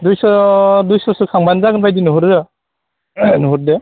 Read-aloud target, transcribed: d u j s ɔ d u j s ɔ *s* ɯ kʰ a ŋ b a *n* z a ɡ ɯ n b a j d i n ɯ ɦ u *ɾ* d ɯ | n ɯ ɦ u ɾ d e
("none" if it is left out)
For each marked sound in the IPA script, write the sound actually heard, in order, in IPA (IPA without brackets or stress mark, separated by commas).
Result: s, n, ɾ